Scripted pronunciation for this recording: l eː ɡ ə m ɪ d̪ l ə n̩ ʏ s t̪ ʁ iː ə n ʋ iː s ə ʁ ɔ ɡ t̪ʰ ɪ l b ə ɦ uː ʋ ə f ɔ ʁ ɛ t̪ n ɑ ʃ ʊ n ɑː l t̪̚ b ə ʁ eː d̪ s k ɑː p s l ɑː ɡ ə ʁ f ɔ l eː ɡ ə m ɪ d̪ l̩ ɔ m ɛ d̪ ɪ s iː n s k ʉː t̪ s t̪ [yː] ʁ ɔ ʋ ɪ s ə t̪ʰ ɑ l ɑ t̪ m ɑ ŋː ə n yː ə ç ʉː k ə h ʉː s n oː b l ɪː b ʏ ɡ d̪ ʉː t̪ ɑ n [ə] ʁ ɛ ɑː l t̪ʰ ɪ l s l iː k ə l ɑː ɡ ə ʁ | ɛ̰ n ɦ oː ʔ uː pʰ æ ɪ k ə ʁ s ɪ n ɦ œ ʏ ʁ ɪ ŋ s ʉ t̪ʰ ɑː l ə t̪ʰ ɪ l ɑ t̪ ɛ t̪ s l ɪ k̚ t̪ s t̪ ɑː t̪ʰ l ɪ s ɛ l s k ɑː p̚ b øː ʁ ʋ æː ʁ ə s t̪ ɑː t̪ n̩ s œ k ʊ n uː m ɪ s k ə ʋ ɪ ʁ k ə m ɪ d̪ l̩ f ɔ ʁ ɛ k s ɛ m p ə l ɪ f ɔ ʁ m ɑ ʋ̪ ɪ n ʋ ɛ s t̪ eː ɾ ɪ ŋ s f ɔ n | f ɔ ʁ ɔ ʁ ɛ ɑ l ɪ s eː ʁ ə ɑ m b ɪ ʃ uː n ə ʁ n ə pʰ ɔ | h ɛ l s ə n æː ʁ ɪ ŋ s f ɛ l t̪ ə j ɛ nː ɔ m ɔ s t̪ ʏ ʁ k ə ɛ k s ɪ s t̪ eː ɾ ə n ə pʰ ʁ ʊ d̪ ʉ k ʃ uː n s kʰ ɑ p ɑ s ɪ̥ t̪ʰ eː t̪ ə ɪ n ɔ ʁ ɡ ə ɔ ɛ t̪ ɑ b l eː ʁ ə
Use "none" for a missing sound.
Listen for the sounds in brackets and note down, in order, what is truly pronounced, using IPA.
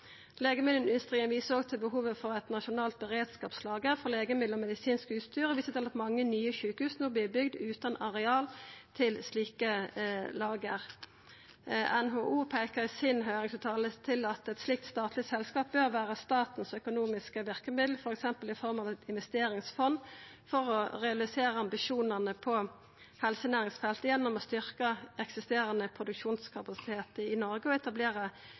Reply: yː, ɑ

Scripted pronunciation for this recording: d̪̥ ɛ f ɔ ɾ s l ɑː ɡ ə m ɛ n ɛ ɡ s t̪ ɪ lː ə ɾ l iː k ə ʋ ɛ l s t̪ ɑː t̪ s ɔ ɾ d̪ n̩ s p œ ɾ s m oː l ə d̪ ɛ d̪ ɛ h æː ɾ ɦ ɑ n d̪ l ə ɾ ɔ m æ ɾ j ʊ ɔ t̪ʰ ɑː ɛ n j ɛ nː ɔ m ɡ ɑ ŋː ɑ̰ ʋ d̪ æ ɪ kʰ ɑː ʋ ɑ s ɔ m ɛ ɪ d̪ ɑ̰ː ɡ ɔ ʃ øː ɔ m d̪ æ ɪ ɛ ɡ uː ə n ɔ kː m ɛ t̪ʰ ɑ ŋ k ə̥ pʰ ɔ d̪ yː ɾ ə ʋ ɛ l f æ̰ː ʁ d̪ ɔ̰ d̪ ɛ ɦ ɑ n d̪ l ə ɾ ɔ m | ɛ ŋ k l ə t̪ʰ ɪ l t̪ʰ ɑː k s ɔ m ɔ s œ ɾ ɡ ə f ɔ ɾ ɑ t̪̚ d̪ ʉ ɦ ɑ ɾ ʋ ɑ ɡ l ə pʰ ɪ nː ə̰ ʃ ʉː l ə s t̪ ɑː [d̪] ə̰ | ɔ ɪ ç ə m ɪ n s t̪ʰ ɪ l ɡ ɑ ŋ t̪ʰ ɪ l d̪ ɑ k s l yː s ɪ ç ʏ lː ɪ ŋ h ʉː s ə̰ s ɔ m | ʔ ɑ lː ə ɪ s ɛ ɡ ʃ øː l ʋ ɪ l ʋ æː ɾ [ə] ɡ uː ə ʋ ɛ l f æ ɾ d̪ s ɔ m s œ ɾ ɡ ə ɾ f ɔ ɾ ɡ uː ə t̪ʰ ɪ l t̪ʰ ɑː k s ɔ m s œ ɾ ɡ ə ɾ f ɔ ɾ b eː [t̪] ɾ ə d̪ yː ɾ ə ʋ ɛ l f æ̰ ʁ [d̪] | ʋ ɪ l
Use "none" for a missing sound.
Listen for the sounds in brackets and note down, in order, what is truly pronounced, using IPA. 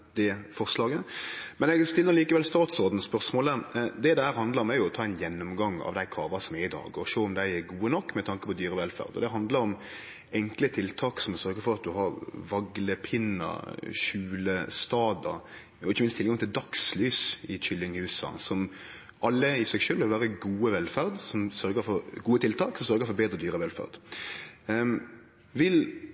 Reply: d̪, ə, d̪, d̪

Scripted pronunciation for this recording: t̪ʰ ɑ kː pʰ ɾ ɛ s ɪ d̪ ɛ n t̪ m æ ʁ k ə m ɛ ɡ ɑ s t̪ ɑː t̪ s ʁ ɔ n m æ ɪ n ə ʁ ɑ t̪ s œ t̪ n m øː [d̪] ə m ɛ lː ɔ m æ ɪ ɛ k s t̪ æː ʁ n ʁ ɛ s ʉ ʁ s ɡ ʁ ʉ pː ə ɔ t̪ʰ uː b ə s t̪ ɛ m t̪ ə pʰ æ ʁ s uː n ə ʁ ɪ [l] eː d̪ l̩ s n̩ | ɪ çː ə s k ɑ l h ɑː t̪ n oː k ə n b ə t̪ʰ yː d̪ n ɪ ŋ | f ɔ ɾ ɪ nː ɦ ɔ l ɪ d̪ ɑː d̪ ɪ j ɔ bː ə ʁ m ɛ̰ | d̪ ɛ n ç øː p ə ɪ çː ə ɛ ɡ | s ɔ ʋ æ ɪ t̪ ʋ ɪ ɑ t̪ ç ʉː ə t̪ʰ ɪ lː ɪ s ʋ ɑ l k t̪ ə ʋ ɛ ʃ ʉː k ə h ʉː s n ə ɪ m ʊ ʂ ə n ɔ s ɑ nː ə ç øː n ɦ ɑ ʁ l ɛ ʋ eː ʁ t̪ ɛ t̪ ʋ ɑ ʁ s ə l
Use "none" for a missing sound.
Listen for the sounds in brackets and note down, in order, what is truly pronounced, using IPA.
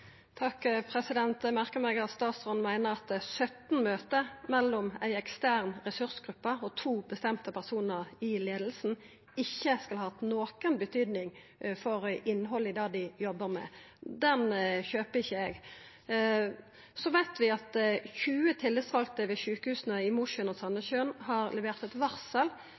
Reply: t̪, l

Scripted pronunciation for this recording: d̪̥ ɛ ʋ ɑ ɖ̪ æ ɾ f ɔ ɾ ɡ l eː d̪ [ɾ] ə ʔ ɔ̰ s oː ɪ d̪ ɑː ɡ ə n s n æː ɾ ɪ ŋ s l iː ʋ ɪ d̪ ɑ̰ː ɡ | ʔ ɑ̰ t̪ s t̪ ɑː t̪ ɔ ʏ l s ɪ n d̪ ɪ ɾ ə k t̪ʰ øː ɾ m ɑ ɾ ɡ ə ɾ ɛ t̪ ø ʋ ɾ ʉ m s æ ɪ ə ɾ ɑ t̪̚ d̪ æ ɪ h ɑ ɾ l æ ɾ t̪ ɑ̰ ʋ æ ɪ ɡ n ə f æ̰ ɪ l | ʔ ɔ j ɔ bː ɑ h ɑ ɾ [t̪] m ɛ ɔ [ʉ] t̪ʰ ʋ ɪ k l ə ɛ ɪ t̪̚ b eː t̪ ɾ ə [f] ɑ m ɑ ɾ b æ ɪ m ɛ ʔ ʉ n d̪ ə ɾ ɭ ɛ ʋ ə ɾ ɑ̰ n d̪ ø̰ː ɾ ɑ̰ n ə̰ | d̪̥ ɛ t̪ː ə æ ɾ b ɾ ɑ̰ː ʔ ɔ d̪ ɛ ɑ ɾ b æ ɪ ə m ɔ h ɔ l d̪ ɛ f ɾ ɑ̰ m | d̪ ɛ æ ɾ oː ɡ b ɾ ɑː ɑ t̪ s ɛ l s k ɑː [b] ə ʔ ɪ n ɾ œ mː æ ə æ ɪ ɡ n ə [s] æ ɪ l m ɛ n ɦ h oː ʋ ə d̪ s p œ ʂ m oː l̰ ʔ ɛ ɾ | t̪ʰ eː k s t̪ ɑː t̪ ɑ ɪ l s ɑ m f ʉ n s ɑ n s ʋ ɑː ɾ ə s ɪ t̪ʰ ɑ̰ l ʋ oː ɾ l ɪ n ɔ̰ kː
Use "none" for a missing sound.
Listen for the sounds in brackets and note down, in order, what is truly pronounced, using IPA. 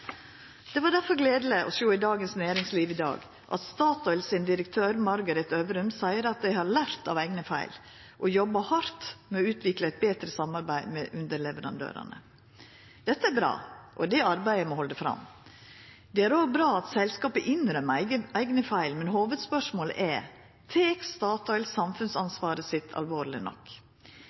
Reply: l, t̪, ʉː, s, p, f

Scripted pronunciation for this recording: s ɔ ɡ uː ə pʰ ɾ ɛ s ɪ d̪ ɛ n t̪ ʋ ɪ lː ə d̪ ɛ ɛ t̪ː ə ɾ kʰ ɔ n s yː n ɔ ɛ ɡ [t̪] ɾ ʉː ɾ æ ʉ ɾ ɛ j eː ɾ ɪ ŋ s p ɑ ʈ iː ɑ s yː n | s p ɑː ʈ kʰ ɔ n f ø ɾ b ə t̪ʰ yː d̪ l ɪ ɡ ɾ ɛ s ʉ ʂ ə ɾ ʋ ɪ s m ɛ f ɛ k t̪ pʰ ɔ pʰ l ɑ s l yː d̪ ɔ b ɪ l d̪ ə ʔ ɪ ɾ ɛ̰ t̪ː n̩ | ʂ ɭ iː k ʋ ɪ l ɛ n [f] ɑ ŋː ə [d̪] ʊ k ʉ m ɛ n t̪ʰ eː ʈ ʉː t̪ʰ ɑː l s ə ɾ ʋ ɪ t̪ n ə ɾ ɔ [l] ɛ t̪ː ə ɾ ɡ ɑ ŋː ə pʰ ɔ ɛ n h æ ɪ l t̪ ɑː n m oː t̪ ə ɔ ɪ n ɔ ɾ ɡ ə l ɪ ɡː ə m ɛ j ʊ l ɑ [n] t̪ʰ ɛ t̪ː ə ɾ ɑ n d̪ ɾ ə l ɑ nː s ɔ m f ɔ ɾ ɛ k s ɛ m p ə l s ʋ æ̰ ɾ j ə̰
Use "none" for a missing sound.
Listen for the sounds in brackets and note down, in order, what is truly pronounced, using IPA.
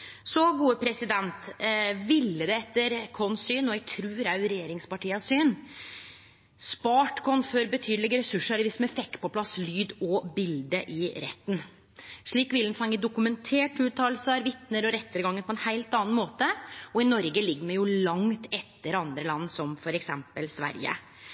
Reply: t̪ʰ, f, d̪, ɾ, ŋ

